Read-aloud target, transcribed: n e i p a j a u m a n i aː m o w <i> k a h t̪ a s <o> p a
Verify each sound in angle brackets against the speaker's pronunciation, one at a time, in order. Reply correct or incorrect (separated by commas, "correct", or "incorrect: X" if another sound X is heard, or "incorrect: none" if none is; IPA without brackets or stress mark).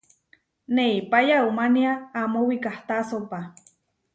correct, correct